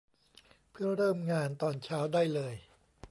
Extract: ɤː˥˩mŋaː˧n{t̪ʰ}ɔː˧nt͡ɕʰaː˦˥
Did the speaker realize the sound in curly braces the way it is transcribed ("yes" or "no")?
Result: no